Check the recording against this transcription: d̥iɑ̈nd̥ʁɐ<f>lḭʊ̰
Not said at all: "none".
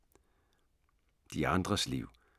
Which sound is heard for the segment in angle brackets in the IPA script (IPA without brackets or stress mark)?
s